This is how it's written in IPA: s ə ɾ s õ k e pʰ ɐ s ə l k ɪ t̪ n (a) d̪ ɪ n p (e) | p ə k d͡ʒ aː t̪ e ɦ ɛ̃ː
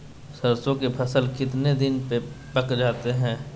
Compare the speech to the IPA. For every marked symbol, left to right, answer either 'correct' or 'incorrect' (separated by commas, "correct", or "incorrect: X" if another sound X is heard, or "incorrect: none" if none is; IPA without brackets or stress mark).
incorrect: e, correct